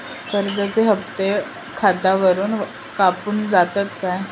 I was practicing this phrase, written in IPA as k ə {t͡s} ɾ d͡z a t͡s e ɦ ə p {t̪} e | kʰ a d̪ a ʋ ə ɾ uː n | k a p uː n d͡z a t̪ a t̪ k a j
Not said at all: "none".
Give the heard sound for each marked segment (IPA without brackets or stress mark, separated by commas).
none, t̪